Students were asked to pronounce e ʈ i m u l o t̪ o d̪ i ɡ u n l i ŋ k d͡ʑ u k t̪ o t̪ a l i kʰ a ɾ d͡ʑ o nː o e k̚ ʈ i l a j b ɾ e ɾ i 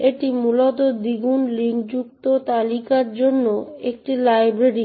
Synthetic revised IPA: e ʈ i m u l o t̪ o d̪ i ɡ u n l i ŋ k d͡ʑ u k t̪ o t̪ a l i k a ɾ d͡ʑ o nː o e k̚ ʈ i l a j b ɾ e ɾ i